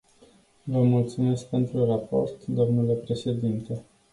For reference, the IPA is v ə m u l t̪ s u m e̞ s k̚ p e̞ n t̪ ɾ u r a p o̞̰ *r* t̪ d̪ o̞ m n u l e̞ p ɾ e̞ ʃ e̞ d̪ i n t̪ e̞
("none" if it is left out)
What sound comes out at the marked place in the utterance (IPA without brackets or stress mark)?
r